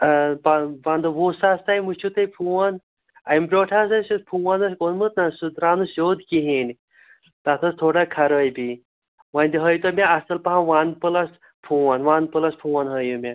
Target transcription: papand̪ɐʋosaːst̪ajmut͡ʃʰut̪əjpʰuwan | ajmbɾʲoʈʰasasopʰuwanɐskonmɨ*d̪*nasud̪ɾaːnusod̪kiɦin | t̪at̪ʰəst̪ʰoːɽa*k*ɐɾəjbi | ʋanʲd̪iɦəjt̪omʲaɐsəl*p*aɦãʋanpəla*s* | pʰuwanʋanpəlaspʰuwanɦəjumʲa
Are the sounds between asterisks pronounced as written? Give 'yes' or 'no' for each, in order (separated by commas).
no, no, yes, yes